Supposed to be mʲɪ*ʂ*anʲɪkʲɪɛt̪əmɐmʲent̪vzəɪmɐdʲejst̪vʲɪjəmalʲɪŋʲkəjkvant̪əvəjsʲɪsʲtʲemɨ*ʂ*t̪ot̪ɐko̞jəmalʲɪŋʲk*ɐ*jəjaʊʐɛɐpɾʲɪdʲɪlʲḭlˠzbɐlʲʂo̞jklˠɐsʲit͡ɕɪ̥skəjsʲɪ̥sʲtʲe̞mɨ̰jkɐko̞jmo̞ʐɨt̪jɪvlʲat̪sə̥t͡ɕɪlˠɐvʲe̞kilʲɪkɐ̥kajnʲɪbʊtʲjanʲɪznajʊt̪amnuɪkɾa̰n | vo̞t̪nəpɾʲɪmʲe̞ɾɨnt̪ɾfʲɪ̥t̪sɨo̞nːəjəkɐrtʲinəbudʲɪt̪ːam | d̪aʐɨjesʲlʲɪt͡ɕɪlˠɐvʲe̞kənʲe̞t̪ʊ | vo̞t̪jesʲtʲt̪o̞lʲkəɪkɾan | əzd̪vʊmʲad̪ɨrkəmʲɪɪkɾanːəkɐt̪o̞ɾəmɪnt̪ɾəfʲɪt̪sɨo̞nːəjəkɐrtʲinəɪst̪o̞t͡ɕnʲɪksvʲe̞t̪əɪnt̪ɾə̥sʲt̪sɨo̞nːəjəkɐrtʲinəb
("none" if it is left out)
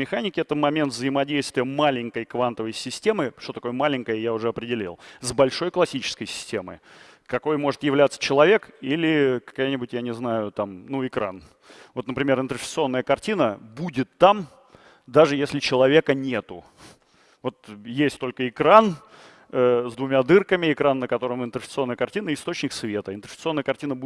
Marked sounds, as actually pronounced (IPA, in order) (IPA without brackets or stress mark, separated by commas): x, ʂ, ə